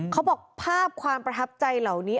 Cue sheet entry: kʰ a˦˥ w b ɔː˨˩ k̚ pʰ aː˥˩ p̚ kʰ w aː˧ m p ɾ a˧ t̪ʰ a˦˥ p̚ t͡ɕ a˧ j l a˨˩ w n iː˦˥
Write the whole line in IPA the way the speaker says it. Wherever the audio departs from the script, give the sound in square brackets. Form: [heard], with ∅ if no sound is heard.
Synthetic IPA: kʰ a˦˥ w b ɔː˨˩ k̚ pʰ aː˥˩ p̚ kʰ w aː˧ m p ɾ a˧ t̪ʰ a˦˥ p̚ t͡ɕ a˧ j l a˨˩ w n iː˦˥